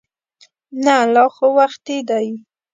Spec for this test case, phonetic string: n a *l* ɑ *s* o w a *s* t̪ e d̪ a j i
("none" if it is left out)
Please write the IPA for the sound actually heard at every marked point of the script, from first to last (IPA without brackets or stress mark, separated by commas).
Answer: l, x, x